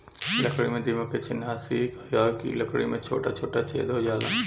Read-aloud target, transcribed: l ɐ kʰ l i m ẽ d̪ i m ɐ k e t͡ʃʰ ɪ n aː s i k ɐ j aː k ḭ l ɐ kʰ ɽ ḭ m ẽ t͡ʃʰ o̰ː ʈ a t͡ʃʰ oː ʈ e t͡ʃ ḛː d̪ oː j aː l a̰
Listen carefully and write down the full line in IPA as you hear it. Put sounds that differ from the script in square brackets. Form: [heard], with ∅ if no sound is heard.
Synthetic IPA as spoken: l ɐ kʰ [ɽ] i m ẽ d̪ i m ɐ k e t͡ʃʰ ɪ n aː s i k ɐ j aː k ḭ l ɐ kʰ ɽ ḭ m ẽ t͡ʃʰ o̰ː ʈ a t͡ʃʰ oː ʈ [a] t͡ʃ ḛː d̪ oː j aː l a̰